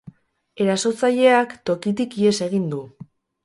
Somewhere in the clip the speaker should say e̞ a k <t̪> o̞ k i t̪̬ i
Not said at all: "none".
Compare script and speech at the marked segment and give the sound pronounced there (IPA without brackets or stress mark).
t̪